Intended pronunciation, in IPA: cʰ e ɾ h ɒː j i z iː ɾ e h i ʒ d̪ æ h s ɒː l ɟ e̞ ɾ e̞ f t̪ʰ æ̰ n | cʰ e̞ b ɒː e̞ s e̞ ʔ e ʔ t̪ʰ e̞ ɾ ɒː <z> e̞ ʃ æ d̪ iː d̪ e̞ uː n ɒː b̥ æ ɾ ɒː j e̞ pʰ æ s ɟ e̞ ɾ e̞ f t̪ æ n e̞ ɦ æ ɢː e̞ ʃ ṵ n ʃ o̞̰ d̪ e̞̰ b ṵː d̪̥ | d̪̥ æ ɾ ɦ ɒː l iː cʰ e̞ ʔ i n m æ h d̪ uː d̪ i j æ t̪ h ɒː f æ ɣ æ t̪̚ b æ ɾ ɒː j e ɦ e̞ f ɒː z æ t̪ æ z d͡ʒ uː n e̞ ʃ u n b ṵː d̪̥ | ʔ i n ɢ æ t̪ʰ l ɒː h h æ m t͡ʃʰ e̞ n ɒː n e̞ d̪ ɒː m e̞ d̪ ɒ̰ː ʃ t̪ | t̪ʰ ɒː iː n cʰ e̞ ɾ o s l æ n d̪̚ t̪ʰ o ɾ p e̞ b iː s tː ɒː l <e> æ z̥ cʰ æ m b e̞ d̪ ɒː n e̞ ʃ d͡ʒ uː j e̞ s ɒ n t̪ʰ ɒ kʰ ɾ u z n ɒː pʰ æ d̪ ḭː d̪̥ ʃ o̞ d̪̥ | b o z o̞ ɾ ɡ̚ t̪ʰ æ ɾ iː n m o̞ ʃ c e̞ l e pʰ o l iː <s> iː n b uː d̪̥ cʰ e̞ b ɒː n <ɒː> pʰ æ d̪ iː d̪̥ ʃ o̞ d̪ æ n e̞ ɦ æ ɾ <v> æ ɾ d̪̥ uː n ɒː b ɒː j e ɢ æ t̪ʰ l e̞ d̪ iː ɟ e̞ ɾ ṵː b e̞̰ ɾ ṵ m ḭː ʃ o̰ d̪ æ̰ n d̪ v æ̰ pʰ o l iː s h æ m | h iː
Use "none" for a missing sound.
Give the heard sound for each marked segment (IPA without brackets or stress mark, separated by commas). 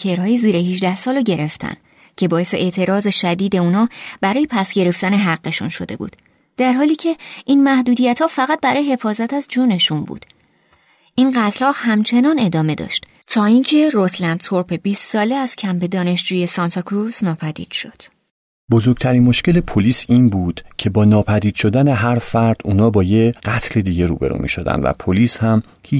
z, e, s, ɒː, f